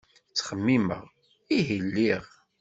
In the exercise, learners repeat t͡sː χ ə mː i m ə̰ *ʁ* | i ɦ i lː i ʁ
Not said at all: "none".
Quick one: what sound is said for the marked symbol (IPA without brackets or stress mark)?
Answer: ʁ